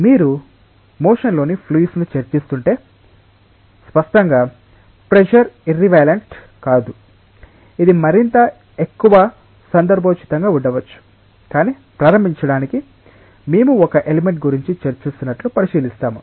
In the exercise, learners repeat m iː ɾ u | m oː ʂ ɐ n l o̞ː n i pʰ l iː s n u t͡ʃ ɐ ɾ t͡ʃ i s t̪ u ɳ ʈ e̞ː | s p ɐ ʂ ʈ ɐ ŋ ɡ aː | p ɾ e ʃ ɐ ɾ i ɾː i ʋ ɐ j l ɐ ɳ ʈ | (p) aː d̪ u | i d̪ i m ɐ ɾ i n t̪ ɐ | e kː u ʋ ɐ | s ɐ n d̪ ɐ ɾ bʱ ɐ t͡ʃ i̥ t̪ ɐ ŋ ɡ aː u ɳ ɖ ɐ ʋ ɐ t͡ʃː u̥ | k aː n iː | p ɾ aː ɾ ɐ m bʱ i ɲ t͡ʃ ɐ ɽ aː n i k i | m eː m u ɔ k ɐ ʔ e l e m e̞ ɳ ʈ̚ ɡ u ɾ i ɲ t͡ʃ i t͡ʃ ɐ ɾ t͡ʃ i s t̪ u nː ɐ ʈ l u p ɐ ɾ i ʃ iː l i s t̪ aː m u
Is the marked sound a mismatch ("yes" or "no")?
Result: yes